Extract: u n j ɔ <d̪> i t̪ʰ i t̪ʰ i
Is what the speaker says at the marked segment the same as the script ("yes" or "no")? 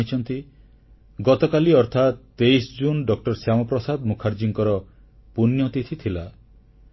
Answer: no